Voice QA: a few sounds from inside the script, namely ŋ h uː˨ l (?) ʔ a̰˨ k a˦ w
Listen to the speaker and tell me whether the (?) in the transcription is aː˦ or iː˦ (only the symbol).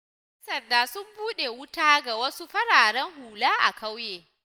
aː˦